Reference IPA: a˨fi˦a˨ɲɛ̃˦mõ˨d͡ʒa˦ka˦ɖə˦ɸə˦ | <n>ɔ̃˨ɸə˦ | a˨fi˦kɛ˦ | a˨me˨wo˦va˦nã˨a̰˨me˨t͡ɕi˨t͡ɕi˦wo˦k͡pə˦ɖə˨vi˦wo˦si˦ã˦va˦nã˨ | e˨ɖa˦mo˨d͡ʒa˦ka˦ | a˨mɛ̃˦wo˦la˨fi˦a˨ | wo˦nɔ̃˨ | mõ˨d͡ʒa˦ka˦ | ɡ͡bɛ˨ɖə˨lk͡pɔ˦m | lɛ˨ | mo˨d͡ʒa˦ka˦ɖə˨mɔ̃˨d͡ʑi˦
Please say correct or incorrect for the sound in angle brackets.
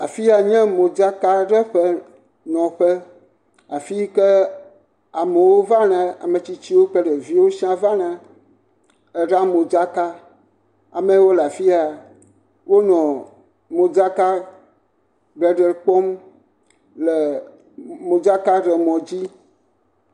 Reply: correct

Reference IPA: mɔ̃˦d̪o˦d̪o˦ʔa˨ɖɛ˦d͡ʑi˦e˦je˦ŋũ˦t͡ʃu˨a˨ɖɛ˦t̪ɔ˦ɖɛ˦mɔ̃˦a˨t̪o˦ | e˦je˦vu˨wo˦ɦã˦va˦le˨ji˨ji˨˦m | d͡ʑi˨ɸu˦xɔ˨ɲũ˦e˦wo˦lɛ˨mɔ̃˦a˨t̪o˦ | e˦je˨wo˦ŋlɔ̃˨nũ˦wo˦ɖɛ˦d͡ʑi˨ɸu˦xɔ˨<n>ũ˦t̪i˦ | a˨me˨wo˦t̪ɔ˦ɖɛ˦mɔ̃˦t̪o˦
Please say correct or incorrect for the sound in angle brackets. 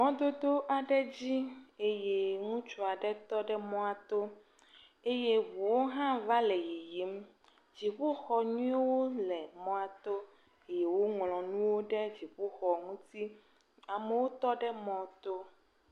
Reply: incorrect: ŋ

